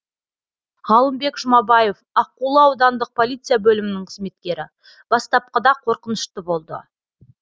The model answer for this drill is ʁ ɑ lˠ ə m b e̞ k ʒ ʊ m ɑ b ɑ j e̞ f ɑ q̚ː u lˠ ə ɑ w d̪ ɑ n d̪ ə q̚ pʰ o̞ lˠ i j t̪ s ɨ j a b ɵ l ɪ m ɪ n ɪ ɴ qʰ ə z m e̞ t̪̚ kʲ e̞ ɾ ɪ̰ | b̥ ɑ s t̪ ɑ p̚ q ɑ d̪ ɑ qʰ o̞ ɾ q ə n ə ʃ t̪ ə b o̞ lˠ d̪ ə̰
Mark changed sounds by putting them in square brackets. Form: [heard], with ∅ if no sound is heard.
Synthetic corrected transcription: ʁ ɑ lˠ ə m b e̞ k ʒ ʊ m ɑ b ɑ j e̞ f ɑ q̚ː u lˠ ə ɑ w d̪ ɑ n d̪ ə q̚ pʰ o̞ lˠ i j t̪ s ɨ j a b ɵ l ɪ m ɪ n ɪ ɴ qʰ ə z m e̞ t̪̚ kʲ e̞ ɾ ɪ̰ | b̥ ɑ s t̪ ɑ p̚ q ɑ d̪ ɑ qʰ o̞ ɾ q ə n ə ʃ t̪ ə b o̞ lˠ d̪ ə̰